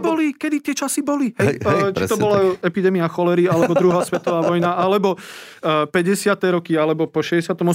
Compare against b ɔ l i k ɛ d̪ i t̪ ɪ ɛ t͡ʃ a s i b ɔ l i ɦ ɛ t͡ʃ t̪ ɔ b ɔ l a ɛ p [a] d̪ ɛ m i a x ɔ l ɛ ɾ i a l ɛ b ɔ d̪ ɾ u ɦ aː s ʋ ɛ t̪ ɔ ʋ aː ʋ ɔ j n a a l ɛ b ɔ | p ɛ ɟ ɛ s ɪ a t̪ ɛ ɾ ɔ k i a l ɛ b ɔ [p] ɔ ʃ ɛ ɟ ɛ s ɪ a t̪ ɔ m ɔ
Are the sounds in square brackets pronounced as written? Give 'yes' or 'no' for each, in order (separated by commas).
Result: no, yes